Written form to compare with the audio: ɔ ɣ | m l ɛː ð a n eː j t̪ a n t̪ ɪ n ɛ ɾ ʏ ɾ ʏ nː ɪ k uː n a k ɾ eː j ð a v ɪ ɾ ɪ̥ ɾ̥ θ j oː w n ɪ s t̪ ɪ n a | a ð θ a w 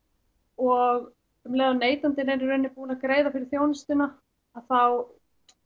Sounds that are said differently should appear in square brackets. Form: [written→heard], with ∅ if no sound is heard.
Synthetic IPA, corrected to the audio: ɔ ɣ | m l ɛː ð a n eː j t̪ a n t̪ ɪ n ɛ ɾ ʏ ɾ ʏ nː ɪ [k→p] uː n a k ɾ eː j ð a [v→f] ɪ ɾ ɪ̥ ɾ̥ θ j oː w n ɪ s t̪ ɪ n a | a ð θ a w